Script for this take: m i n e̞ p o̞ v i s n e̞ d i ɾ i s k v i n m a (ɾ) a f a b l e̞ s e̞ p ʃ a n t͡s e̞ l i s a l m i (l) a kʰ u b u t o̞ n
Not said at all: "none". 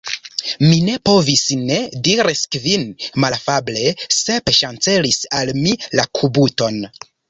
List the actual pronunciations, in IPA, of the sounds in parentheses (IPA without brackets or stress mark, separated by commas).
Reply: l, l